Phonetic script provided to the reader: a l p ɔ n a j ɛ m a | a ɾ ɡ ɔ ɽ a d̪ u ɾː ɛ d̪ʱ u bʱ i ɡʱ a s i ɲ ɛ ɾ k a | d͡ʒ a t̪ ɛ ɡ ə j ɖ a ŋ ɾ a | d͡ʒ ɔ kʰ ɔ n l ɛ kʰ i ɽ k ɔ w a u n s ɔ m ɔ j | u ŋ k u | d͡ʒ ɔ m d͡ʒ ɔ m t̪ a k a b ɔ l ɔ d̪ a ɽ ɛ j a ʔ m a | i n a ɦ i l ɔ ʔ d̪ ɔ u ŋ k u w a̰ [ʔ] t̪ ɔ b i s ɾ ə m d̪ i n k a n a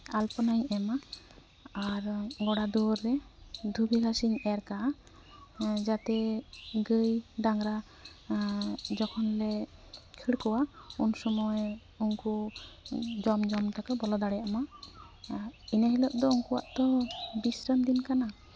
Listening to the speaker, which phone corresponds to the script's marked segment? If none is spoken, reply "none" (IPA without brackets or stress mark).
ʔ